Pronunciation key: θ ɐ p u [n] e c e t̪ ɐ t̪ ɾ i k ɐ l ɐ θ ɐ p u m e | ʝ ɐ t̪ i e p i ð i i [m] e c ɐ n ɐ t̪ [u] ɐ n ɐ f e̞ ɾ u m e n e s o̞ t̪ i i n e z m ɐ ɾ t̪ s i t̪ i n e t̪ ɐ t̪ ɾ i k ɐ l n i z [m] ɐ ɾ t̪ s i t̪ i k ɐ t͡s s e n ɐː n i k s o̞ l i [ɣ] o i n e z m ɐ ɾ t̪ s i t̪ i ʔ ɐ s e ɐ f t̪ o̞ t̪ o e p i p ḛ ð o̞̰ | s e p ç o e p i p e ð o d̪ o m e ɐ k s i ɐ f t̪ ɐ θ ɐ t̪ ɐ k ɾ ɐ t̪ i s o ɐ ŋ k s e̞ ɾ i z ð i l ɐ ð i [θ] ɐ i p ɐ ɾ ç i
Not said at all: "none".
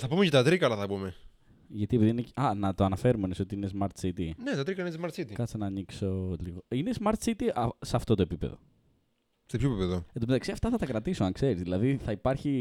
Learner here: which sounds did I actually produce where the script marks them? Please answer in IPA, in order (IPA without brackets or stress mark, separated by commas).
m, n, o, m, ɣ, θ